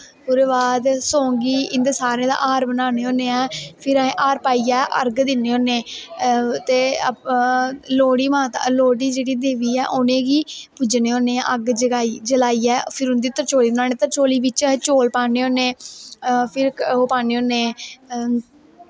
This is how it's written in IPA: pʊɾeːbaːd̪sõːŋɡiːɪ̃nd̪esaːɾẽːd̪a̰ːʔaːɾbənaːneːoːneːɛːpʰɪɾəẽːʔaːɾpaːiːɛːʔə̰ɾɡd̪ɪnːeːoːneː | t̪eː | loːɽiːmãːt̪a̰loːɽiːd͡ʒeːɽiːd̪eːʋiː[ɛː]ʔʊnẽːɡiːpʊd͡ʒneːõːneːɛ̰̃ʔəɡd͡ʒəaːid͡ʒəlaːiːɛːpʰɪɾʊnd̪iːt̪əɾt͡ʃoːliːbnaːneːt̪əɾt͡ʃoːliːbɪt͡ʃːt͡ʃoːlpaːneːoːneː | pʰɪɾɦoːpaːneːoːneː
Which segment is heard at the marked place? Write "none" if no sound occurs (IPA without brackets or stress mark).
ɛː